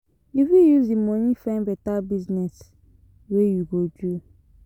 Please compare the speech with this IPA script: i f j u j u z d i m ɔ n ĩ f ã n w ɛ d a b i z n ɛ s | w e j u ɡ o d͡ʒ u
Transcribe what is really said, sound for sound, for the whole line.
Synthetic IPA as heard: i f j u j u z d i m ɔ n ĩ f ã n b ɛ t a b i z n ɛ s | w e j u ɡ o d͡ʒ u